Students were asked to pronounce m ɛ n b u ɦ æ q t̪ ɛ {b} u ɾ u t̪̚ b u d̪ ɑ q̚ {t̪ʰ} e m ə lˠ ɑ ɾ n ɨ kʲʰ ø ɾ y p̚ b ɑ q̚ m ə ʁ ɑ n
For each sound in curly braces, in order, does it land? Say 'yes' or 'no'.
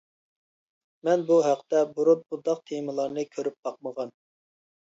yes, yes

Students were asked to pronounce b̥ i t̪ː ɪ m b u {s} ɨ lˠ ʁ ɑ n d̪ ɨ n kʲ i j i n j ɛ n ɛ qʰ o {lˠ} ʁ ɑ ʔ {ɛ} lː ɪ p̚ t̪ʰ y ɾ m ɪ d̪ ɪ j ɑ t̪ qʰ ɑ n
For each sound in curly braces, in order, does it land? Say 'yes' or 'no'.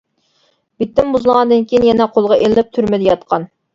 no, yes, no

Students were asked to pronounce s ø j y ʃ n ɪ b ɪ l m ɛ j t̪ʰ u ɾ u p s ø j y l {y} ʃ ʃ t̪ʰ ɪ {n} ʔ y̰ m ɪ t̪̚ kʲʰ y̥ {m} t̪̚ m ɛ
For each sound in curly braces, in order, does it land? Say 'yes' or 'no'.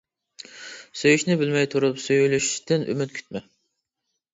yes, yes, no

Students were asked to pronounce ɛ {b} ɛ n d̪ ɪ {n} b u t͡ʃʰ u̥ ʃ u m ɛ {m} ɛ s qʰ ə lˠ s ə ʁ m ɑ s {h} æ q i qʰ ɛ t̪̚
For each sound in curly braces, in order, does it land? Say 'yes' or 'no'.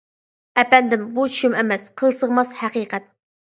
no, no, yes, yes

